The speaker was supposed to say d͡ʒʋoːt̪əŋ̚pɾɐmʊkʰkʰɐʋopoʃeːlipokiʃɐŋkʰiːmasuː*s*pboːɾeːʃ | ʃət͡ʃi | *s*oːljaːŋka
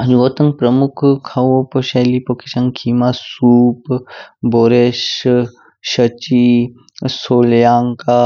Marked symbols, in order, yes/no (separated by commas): no, yes